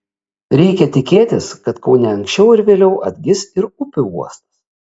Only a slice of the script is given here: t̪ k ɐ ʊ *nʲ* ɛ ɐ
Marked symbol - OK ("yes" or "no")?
yes